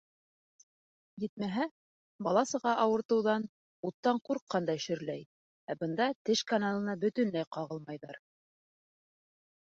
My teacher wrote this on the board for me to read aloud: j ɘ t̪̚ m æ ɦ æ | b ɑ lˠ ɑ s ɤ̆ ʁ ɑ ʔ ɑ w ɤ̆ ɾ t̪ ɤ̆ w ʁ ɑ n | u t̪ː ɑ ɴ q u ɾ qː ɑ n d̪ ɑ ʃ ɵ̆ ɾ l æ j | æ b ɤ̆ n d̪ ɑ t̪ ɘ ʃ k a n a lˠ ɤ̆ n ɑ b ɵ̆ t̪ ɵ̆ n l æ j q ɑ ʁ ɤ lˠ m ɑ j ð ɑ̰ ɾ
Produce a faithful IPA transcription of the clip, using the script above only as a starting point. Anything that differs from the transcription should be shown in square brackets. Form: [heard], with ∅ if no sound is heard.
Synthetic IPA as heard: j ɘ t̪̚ m æ ɦ æ | b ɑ lˠ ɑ s ɤ̆ ʁ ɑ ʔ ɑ w ɤ̆ ɾ t̪ ɤ̆ w [ð] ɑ n | u t̪ː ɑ ɴ q u ɾ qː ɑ n d̪ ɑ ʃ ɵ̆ ɾ l æ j | æ b ɤ̆ n d̪ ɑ t̪ ɘ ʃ k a n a lˠ ɤ̆ n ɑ b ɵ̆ t̪ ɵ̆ n l æ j q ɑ ʁ ɤ lˠ m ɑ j ð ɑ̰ ɾ